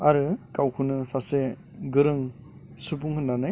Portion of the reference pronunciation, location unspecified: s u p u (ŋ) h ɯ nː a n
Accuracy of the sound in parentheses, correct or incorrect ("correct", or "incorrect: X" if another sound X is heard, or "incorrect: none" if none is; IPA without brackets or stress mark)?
correct